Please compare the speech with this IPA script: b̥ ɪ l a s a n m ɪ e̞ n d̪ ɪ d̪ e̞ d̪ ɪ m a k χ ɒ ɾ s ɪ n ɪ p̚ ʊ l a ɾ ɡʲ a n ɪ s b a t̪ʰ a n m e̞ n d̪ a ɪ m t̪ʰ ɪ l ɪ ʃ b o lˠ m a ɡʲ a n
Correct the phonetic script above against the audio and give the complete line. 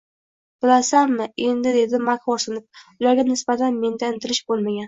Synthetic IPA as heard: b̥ ɪ l a s a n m ɪ e̞ n d̪ ɪ d̪ e̞ d̪ ɪ m a k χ ɒ ɾ s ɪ n ɪ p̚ ʊ l a ɾ ɡʲ a n ɪ s b a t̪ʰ a n m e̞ n d̪ a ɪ n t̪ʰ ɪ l ɪ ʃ b o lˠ m a ɡʲ a n